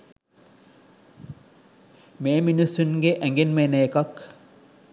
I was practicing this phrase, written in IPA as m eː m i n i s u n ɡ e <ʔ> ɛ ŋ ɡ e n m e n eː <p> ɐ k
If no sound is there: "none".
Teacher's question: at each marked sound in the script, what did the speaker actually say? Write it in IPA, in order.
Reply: ʔ, k

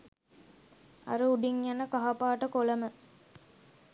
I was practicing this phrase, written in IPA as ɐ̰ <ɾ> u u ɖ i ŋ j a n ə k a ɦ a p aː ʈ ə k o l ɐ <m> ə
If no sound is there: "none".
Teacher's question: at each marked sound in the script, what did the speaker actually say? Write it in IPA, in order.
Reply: ɾ, m

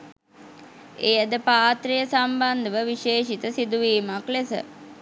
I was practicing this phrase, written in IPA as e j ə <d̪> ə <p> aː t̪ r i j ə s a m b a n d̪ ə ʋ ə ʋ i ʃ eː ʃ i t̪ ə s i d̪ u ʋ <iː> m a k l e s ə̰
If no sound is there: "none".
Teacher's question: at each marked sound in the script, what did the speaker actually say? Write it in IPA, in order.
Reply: d̪, p, iː

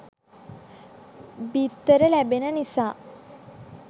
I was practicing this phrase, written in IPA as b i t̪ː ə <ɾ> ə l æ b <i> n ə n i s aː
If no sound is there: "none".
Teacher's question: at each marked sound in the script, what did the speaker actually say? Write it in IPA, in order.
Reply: ɾ, e

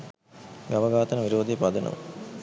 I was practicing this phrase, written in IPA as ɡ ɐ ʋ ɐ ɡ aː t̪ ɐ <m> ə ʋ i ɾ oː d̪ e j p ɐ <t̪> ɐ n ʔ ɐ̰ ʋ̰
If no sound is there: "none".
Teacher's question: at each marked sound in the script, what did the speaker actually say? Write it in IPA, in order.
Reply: n, d̪

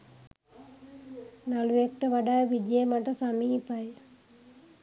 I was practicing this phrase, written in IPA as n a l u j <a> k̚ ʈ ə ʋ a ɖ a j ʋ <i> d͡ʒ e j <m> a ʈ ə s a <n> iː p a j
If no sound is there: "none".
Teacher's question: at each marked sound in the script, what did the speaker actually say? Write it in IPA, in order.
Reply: e, i, m, m

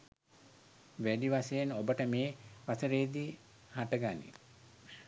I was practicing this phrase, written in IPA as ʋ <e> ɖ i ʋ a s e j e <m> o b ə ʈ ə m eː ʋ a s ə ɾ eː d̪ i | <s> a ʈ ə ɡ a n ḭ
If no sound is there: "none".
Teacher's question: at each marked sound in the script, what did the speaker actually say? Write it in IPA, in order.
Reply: æ, n, h

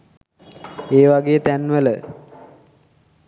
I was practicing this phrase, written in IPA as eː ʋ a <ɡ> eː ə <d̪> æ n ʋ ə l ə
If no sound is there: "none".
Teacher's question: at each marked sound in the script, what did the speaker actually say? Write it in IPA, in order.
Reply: ɡ, t̪

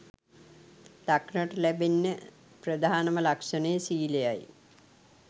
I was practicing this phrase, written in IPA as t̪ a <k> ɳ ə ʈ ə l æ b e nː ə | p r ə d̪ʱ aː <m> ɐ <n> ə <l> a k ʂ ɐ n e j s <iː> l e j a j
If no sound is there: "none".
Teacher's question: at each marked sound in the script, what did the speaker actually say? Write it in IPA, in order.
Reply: k, n, m, l, iː

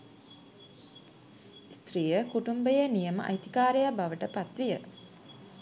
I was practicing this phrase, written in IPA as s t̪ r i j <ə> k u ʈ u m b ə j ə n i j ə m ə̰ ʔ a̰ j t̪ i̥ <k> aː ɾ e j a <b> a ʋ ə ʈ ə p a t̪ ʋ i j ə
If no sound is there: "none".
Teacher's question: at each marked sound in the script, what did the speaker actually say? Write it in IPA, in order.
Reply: ə, k, b

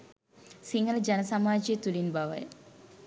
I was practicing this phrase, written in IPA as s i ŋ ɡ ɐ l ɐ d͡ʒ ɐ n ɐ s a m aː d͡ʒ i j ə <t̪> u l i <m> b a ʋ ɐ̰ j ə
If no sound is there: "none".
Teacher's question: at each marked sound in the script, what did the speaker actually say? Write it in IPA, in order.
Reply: t̪, n

